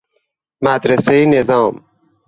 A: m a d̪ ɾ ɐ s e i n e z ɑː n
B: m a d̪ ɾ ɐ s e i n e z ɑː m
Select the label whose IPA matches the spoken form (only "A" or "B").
B